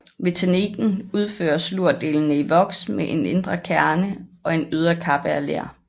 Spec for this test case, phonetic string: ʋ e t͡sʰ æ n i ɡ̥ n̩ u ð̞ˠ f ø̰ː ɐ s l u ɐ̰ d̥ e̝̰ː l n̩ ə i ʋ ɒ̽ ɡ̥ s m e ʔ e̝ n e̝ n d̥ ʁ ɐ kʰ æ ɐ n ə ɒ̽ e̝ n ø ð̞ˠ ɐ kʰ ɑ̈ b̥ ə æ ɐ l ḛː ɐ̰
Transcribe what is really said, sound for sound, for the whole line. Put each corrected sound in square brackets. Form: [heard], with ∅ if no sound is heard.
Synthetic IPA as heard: ʋ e t͡sʰ æ n i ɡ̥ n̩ u ð̞ˠ f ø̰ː ɐ s l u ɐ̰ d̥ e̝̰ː l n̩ ə i ʋ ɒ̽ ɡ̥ s m e ʔ e̝ n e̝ n d̥ ʁ ɐ kʰ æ ɐ n ə ɒ̽ e̝ n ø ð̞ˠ ɐ kʰ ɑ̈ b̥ ə æ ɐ l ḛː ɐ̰